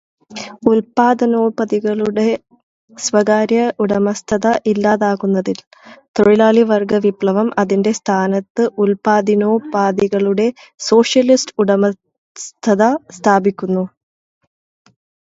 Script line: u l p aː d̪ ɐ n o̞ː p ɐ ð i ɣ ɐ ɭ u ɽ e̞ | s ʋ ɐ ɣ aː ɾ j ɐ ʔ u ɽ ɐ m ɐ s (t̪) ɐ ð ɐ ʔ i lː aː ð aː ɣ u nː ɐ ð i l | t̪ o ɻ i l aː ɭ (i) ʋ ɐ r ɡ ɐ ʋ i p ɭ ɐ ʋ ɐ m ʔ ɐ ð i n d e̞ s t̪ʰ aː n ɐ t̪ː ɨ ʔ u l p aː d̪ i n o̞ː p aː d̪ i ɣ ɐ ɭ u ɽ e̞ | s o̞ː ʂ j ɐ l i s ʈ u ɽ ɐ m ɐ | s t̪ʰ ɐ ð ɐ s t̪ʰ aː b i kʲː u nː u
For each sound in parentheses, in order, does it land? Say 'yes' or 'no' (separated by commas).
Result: no, yes